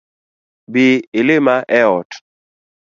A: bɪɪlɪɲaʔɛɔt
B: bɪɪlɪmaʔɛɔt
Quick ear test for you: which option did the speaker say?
B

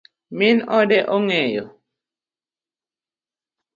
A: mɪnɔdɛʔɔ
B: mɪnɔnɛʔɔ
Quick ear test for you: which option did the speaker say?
A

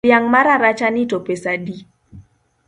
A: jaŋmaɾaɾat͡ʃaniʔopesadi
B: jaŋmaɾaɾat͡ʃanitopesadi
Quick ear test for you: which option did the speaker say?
B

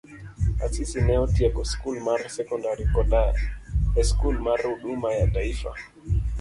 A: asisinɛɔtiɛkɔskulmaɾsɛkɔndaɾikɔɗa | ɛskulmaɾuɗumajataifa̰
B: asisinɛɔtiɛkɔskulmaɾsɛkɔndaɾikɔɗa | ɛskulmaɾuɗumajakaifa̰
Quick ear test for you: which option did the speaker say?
A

